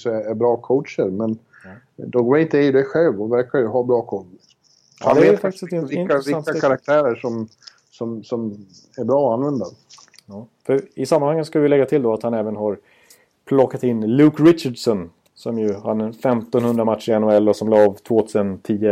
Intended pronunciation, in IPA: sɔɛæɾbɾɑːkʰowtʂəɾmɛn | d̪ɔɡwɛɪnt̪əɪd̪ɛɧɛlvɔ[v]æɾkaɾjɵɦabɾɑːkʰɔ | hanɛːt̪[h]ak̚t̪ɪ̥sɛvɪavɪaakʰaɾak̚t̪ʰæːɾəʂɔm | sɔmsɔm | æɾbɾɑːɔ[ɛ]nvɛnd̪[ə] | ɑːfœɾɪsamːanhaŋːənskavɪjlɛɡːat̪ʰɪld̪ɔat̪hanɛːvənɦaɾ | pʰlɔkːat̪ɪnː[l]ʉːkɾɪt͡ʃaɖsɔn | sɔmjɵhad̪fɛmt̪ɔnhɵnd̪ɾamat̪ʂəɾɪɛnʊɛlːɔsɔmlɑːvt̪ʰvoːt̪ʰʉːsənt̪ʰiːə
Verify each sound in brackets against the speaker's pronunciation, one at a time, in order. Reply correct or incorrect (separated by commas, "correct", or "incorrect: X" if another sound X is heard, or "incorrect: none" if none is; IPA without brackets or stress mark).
correct, incorrect: f, incorrect: a, incorrect: a, correct